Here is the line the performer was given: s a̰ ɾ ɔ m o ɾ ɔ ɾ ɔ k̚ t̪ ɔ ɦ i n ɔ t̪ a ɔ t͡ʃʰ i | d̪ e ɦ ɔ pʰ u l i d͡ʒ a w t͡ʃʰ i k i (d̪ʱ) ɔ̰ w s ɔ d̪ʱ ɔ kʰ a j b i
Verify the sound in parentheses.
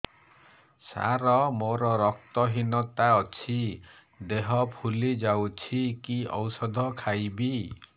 incorrect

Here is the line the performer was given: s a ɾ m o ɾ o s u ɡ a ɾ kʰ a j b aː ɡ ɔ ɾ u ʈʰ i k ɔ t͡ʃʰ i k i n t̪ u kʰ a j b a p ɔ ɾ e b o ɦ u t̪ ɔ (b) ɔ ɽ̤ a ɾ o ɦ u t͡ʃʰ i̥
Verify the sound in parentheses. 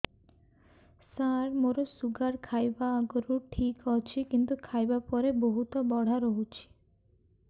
correct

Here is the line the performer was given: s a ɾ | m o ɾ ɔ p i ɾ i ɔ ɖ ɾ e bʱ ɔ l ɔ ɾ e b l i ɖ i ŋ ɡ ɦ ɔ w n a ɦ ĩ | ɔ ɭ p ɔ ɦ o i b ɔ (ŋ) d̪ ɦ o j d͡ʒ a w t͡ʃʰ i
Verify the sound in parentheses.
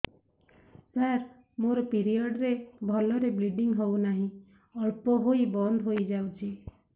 incorrect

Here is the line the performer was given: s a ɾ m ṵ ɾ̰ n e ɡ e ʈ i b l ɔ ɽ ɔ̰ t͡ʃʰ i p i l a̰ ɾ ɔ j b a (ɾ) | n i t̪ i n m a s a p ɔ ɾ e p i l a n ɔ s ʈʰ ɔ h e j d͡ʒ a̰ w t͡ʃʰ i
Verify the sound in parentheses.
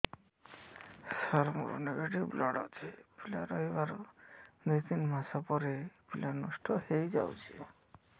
correct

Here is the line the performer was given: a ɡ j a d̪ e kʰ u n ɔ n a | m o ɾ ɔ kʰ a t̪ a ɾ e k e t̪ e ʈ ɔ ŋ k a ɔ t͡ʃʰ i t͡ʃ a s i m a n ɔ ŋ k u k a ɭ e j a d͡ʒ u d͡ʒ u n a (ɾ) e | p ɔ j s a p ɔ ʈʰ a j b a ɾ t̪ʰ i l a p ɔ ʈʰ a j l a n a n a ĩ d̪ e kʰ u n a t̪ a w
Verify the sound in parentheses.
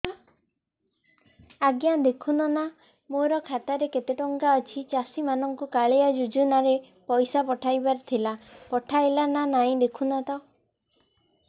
correct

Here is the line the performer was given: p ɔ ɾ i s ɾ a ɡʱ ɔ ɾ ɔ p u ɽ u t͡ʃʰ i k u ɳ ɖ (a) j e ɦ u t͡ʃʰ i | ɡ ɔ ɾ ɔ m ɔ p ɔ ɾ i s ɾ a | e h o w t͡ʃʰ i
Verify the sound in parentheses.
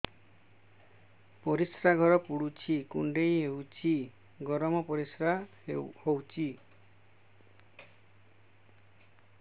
incorrect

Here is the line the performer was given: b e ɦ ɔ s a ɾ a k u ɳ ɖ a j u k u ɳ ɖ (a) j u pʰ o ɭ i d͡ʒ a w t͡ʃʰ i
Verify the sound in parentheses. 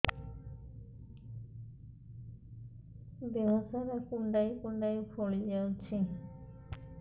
correct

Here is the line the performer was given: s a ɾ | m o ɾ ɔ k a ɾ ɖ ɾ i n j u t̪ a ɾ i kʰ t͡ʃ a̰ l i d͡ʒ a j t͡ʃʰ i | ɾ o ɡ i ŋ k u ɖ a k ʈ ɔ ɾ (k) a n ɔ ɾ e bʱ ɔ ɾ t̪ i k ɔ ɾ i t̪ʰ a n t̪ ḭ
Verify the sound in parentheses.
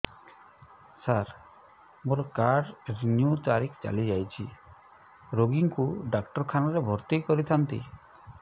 incorrect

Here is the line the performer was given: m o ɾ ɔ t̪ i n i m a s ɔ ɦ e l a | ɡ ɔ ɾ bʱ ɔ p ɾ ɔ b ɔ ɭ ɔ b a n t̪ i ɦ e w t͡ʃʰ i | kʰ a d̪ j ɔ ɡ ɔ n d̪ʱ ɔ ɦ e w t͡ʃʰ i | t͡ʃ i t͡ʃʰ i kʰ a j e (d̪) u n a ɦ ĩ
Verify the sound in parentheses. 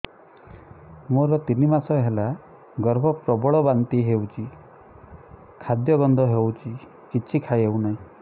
incorrect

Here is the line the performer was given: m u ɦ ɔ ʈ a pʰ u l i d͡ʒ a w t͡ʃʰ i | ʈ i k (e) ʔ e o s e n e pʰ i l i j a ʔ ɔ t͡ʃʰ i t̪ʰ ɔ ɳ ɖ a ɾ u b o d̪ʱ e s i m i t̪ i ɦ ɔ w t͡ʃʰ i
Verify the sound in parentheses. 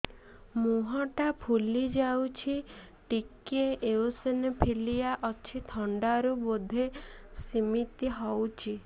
correct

